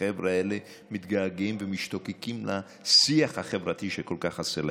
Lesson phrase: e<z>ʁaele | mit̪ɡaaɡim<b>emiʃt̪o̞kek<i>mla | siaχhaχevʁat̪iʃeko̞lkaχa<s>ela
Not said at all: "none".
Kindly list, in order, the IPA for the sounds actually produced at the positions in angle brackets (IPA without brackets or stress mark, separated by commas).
v, v, i, s